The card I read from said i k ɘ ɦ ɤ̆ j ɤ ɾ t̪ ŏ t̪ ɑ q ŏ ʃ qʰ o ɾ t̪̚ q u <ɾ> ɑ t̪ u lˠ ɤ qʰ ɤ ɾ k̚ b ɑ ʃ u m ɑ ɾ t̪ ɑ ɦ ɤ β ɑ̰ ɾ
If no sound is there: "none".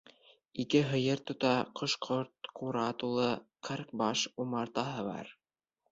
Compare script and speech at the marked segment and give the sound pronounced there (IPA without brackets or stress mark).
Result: ɾ